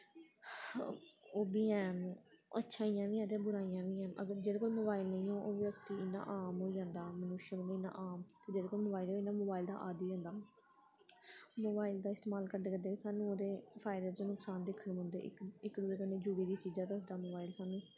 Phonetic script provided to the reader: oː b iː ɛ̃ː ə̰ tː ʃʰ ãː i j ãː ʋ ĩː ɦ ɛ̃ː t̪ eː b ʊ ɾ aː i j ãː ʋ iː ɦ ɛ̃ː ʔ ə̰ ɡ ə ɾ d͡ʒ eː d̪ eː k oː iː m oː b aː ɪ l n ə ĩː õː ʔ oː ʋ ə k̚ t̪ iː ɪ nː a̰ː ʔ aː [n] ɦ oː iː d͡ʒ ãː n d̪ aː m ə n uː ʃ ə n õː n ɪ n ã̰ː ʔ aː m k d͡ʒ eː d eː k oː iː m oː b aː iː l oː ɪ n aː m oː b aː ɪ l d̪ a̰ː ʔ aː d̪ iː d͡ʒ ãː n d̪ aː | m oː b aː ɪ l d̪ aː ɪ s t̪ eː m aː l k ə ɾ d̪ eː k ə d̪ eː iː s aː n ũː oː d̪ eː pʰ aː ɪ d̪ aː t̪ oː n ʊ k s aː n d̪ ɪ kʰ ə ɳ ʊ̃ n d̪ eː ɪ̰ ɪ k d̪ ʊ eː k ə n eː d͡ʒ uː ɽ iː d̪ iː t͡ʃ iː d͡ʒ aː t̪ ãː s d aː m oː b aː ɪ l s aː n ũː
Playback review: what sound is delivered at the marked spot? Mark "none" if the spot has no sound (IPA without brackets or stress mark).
m